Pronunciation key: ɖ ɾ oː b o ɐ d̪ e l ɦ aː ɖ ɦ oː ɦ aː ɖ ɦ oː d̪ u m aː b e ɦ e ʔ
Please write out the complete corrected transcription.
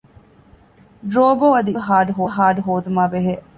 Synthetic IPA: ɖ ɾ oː b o ɐ d̪ i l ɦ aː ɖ ɦ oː ɦ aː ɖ ɦ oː d̪ u m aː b e ɦ e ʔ